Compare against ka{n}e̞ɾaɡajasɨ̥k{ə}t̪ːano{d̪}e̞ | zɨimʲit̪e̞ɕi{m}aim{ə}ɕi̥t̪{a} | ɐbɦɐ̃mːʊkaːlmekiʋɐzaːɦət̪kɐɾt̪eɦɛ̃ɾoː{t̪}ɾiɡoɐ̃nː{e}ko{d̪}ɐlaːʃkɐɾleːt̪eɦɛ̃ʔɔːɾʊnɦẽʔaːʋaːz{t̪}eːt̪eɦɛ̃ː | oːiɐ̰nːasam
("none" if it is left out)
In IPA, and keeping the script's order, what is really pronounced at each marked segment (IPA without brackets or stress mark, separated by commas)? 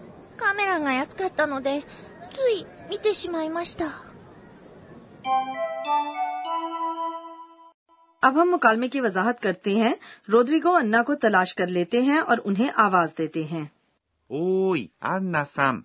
m, a, d̪, m, a, a, d̪, a, t̪, d̪